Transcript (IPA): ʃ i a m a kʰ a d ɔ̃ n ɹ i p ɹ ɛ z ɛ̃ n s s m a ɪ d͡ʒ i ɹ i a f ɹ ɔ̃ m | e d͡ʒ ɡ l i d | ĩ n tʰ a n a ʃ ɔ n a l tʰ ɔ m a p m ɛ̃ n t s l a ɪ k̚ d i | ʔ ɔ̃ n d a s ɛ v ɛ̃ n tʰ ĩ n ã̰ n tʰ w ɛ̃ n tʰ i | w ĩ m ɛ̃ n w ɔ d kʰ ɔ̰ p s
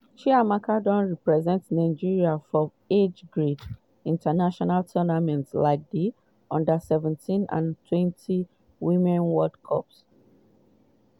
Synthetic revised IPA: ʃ i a m a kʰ a d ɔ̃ n ɹ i p ɹ ɛ z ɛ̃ n t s n a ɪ d͡ʒ i ɹ i a f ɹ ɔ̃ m | e d͡ʒ ɡ ɹ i d | ĩ n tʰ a n a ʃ ɔ n a l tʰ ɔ n a m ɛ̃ n t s l a ɪ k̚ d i | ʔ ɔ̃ n d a s ɛ v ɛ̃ n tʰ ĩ n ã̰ n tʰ w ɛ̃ n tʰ i | w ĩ m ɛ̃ n w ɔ d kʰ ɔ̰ p s

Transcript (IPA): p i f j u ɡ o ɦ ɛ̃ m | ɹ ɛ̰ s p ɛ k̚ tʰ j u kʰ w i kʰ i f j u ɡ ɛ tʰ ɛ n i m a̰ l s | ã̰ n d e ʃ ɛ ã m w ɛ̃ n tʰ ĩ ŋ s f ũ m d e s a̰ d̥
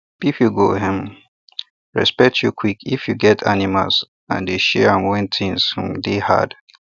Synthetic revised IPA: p i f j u ɡ o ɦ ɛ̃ m | ɹ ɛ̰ s p ɛ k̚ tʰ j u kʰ w i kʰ i f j u ɡ ɛ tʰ a n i m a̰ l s | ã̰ n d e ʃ ɛ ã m w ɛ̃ n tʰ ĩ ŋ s h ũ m d e h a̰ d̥

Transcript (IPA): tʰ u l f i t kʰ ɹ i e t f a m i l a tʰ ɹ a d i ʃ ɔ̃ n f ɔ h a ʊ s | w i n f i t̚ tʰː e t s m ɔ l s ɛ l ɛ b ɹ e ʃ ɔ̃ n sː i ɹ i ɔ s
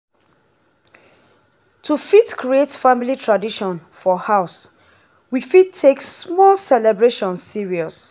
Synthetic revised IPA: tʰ u f i t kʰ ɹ i e t f a m i l i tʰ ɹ a d i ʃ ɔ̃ n f ɔ h a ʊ s | w i f i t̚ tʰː e k s m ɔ l s ɛ l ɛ b ɹ e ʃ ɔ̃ n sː i ɹ i ɔ s

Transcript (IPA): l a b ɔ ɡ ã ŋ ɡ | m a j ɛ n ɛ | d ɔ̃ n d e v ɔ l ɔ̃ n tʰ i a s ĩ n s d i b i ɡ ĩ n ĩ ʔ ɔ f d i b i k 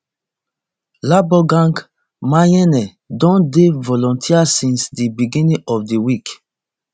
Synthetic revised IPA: l a b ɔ ɡ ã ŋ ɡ | m a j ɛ n ɛ | d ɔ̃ n d e v ɔ l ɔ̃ n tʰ i a s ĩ n s d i b i ɡ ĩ n ĩ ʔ ɔ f d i w i k

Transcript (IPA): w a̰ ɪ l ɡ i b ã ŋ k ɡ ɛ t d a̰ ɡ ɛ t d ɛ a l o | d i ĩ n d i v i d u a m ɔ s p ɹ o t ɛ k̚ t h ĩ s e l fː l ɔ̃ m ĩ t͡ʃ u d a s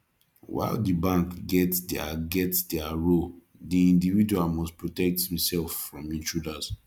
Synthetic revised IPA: w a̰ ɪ l d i b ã ŋ k ɡ ɛ t d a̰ ɡ ɛ t d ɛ a ɹ o | d i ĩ n d i v i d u a m ɔ s p ɹ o t ɛ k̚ t h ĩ s ɛ l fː ɹ ɔ̃ m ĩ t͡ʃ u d a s

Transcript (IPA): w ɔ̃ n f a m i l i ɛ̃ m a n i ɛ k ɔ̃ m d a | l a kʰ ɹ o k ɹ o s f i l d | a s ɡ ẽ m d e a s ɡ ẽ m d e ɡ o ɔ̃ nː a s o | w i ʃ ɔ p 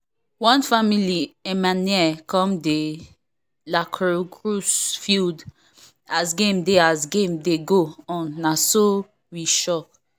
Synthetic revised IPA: w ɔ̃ n f a m i l i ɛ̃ m a n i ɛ k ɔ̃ m d e | l a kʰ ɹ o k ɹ u s f i l d | a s ɡ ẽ m d e a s ɡ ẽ m d e ɡ o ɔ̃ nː a s o | w i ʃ ɔ k

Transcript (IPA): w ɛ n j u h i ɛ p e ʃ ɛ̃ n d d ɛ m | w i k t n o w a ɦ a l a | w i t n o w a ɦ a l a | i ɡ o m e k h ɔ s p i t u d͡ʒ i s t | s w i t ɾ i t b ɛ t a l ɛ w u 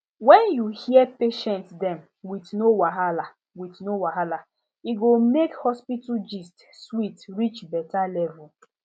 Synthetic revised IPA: w ɛ n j u h i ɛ p e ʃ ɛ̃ n t d ɛ m | w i t n o w a ɦ a l a | w i t n o w a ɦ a l a | i ɡ o m e k h ɔ s p i t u d͡ʒ i s t | s w i t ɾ i t͡ʃ b ɛ t a l ɛ v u

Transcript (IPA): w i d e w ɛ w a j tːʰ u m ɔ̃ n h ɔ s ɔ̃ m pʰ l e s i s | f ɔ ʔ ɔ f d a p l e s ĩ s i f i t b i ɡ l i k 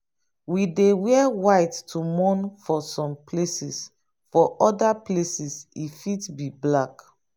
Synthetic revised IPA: w i d e w ɛ w a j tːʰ u m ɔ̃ n f ɔ s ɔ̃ m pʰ l e s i s | f ɔ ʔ ɔ d a p l e s i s i f i t b i b l a k

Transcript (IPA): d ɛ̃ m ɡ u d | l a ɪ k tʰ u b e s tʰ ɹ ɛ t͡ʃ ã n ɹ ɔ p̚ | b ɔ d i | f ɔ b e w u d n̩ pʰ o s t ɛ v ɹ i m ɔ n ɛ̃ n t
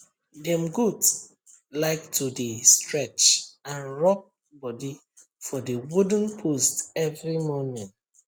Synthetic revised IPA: d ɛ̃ m ɡ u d | l a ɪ k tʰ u d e s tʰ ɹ ɛ t͡ʃ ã n ɹ ɔ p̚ | b ɔ d i | f ɔ d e w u d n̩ pʰ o s t ɛ v ɹ i m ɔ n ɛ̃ n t

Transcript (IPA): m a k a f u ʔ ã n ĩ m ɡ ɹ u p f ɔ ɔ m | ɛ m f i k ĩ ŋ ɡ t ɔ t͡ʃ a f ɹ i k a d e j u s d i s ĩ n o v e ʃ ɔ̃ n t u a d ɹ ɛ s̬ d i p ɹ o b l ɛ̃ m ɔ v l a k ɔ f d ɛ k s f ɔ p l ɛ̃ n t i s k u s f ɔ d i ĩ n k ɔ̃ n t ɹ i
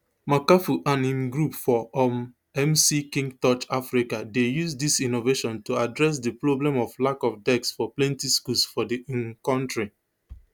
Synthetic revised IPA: m a k a f u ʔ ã n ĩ m ɡ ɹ u p f ɔ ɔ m | ɛ m s i k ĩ ŋ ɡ t ɔ t͡ʃ a f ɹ i k a d e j u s d i s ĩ n o v e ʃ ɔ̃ n t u a d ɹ ɛ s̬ d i p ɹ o b l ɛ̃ m ɔ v l a k ɔ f d ɛ k s f ɔ p l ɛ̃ n t i s k u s f ɔ d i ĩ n k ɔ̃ n t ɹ i

